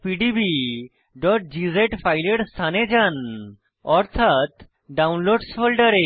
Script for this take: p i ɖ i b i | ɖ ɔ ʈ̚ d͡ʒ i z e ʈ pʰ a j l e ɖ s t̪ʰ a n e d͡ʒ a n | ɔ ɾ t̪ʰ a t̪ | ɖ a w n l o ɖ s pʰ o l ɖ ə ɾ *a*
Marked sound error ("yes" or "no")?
yes